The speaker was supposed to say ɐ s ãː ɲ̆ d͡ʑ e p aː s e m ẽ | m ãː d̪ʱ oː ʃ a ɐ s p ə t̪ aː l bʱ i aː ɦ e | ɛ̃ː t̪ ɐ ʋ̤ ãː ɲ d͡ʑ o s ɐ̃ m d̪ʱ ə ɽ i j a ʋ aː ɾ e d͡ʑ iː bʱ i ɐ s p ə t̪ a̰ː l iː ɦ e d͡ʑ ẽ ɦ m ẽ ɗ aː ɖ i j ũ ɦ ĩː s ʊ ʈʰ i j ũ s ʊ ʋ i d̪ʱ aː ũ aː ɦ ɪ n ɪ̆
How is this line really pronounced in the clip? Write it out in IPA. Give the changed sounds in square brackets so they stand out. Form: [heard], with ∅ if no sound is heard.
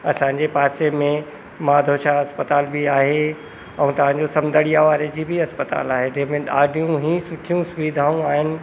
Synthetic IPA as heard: ɐ s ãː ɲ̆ d͡ʑ e p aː s e m ẽ | m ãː d̪ʱ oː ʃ a ɐ s p ə t̪ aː l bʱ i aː ɦ e | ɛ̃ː t̪ ɐ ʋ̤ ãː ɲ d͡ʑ o s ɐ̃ m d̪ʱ ə ɽ i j a ʋ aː ɾ e d͡ʑ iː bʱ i ɐ s p ə t̪ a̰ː l [aː] ɦ e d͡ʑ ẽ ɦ m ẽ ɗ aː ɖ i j ũ ɦ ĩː s ʊ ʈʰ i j ũ s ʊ ʋ i d̪ʱ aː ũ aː ɦ ɪ n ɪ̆